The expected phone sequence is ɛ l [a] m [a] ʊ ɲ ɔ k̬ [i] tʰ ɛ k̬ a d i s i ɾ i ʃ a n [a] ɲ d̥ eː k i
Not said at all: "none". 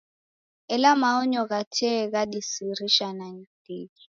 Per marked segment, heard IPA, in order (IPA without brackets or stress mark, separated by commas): a, a, a, a